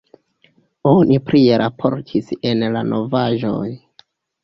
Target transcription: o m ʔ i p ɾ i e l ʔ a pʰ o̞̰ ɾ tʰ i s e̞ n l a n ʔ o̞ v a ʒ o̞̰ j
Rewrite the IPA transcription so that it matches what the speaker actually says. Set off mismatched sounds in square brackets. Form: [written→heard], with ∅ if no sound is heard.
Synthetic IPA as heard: o [m→n] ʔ i p ɾ i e [l→ɾ] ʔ a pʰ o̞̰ ɾ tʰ i s e̞ n l a n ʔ o̞ v a ʒ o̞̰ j